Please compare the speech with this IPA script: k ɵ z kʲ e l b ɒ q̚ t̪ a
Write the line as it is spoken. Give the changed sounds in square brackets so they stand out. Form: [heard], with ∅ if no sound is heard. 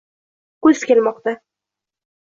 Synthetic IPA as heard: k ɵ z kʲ e l [m] ɒ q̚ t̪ a